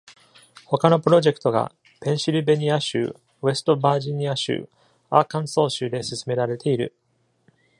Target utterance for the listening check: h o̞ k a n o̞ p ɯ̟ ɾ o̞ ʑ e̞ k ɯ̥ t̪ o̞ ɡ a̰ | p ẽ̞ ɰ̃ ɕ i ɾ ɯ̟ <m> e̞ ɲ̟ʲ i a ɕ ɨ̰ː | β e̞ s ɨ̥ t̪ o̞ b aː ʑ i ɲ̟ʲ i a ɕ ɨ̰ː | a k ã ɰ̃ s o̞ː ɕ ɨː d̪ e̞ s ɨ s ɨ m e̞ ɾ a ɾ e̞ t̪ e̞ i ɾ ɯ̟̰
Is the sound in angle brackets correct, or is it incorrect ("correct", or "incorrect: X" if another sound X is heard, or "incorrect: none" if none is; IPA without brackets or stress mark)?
incorrect: b